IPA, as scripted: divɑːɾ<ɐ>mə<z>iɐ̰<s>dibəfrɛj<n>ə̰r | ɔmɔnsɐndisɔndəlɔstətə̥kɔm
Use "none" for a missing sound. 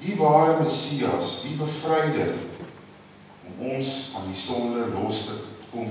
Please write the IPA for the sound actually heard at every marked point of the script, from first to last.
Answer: ə, s, s, d

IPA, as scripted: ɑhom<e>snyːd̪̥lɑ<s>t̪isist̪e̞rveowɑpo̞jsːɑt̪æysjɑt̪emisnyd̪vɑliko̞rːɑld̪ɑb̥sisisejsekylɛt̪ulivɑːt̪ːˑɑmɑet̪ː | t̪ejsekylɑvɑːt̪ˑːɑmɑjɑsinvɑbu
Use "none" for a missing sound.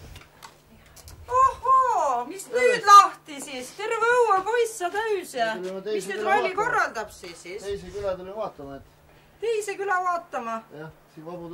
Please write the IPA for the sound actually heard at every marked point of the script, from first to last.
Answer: i, h

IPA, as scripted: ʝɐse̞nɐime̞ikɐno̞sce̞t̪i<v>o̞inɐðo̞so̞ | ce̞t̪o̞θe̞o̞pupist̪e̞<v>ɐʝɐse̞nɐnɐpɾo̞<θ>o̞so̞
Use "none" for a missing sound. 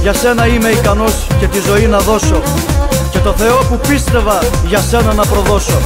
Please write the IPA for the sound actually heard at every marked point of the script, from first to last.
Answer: z, v, ð

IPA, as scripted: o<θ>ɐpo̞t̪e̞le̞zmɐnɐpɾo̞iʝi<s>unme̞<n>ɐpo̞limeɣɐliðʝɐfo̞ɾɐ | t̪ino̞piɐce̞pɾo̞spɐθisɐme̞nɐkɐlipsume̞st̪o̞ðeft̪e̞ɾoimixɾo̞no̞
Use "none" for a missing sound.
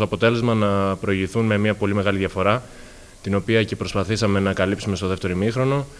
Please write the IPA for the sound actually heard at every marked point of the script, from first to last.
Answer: none, θ, m

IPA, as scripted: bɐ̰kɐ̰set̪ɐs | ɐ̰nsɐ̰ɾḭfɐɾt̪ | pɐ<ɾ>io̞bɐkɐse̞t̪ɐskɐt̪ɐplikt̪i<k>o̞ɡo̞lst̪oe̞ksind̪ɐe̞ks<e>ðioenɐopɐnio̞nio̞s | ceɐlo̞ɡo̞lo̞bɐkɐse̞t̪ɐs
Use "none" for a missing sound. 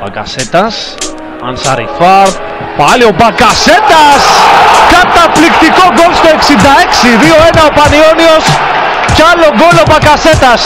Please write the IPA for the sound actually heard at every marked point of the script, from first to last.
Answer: l, k, i

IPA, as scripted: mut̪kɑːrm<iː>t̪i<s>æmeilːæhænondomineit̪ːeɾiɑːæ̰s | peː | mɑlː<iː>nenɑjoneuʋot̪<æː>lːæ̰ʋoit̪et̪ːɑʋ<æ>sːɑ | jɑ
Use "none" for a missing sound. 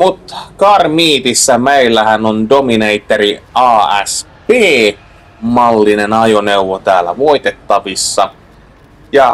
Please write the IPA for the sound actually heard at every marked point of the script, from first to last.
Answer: iː, sː, i, æː, i

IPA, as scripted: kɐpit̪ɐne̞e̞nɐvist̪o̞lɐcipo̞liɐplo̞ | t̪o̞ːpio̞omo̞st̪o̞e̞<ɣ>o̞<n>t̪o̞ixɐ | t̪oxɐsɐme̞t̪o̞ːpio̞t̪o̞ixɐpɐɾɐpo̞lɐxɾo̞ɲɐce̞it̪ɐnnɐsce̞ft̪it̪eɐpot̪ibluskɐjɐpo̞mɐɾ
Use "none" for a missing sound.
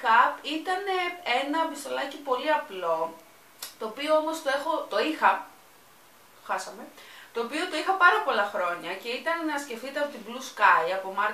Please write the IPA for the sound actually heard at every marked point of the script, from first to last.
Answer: x, none

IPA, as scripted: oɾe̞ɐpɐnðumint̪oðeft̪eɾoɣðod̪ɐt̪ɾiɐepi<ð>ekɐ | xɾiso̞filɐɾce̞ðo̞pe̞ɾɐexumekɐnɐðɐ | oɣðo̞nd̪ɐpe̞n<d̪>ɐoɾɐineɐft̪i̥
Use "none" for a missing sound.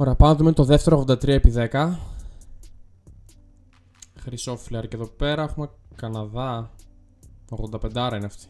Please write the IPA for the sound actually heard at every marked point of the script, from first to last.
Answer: ð, d̪

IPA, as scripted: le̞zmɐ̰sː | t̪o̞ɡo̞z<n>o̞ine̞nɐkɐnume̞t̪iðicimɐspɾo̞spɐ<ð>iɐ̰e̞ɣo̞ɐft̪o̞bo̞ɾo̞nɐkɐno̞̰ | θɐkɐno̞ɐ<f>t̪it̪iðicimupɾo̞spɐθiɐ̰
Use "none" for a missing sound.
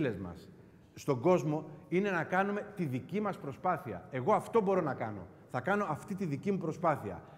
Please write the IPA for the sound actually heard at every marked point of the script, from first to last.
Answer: m, θ, f

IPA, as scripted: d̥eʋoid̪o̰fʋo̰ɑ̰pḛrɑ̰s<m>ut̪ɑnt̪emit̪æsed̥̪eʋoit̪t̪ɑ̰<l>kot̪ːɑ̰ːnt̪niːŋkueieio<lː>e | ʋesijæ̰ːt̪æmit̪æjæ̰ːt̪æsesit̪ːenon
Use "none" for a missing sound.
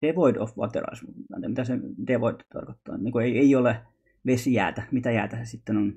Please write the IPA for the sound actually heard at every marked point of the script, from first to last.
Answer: m, r, l

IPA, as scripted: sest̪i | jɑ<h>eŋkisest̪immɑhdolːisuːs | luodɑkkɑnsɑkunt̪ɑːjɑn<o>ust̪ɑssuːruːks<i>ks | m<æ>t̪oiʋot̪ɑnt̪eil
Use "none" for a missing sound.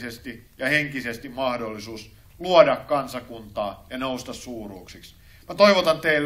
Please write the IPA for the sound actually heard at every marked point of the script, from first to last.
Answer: h, o, i, æ

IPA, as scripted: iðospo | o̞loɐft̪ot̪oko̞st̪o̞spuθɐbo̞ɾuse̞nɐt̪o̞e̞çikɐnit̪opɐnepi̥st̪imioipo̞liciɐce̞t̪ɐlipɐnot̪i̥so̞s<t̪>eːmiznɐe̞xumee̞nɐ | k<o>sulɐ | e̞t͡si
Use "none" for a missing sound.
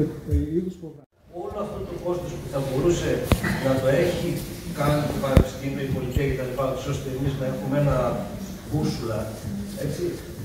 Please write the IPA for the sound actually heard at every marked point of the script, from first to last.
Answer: t̪, u

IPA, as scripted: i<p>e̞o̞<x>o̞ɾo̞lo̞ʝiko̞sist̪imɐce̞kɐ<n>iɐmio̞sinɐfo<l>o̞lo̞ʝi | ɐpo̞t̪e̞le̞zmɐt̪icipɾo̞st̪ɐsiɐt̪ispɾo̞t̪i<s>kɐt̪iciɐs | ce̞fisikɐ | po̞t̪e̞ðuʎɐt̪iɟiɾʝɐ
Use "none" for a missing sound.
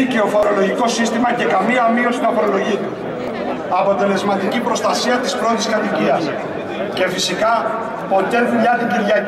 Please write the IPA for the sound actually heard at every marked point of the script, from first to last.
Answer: c, f, m, ɾ, s

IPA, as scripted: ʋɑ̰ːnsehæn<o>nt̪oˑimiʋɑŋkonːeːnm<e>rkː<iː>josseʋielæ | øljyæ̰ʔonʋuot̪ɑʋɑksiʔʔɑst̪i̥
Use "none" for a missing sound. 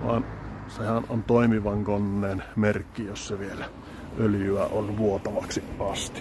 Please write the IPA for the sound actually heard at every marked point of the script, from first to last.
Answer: o, e, i

